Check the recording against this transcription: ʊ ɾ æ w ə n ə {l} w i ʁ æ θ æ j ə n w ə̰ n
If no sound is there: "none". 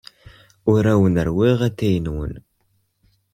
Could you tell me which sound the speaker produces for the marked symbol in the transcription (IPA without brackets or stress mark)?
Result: ɾ